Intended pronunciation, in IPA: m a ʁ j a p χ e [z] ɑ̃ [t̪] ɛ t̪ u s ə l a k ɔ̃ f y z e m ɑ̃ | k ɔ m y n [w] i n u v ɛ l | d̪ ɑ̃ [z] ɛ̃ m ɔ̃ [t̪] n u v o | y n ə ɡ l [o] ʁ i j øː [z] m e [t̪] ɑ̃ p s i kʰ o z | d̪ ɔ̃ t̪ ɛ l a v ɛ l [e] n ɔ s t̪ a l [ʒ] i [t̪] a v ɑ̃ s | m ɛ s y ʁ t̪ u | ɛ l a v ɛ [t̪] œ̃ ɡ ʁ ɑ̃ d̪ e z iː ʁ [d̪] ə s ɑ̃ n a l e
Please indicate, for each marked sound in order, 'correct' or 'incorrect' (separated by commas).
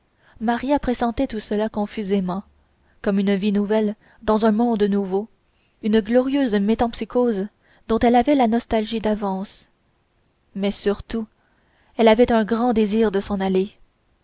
incorrect, correct, incorrect, correct, incorrect, incorrect, correct, correct, incorrect, correct, incorrect, correct, correct